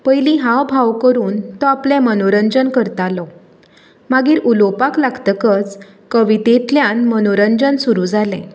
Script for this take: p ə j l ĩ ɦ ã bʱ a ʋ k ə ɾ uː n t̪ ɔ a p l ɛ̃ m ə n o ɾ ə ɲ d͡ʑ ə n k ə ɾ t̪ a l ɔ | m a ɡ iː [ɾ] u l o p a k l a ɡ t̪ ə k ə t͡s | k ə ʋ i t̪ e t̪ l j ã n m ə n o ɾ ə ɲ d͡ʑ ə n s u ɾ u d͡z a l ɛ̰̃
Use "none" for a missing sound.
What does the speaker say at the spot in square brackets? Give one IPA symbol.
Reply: ɾ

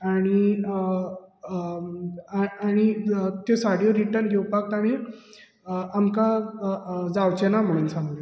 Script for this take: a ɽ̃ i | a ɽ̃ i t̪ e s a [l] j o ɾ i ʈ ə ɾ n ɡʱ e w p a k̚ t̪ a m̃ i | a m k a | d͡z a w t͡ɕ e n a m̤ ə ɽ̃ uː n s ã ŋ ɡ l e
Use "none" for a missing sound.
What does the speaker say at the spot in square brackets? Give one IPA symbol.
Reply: ɽ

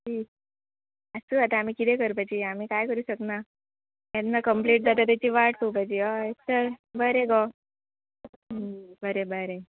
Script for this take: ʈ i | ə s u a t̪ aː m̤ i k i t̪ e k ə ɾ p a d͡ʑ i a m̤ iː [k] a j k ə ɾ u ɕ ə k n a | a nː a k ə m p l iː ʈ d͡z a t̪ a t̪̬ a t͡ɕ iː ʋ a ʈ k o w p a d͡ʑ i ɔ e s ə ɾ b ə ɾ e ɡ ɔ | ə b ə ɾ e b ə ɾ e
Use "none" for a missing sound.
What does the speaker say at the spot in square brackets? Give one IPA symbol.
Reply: k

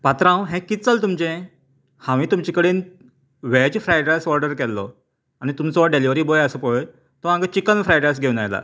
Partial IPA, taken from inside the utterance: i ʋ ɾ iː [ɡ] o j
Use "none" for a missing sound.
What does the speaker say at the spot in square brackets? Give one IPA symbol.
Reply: b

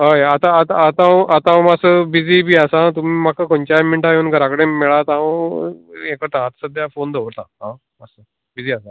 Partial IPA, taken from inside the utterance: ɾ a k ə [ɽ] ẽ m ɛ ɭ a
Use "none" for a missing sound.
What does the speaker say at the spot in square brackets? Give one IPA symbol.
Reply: ɽ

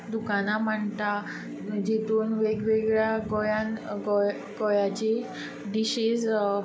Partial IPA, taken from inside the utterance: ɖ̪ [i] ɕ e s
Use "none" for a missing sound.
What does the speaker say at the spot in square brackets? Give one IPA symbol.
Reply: i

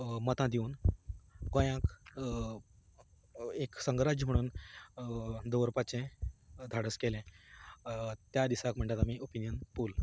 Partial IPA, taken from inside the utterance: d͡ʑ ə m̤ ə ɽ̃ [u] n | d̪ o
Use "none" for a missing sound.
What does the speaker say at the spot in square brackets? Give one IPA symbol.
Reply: uː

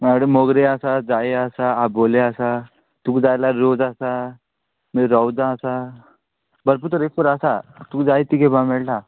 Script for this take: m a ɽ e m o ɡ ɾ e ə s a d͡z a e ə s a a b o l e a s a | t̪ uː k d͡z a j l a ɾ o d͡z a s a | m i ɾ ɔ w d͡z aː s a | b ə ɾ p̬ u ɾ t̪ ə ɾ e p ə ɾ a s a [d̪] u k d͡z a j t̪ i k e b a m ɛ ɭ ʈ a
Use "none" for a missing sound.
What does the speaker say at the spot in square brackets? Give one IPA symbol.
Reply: t̪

